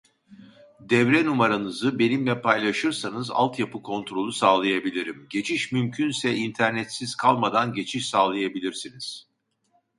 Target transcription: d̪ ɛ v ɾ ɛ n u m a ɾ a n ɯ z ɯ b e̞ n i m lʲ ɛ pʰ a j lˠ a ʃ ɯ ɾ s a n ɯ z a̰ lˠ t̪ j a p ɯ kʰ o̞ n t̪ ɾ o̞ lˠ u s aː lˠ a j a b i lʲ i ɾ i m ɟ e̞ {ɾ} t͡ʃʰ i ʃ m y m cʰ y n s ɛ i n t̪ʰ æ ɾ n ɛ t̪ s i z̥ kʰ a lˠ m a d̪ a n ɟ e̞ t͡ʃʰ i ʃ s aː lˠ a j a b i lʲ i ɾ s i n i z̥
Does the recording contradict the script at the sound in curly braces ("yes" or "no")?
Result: yes